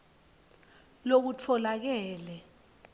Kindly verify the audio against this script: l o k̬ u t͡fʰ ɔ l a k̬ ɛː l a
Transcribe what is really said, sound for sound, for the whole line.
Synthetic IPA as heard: l o k̬ u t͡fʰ ɔ l a k̬ ɛː l ɛ